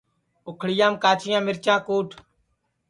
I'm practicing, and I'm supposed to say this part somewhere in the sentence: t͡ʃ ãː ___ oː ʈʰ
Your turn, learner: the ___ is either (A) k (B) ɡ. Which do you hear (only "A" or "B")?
A